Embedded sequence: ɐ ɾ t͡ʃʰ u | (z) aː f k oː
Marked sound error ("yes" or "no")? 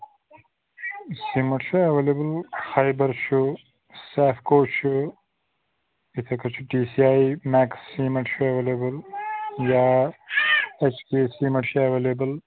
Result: yes